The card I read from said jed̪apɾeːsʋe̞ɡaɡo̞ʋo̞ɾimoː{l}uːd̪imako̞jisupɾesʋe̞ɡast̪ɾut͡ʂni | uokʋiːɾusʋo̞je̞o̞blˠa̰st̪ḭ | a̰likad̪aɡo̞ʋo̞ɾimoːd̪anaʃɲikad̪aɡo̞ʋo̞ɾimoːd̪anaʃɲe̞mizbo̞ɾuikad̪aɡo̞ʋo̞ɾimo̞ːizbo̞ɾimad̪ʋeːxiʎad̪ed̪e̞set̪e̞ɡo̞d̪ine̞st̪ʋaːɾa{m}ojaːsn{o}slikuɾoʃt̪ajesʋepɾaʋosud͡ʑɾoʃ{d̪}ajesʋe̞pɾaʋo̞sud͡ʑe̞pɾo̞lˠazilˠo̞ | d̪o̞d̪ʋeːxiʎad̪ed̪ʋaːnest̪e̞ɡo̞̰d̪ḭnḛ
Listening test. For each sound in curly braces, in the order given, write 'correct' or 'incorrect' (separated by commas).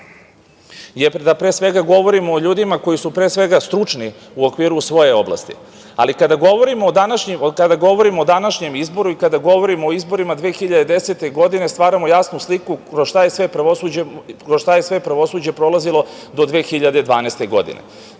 incorrect, correct, incorrect, incorrect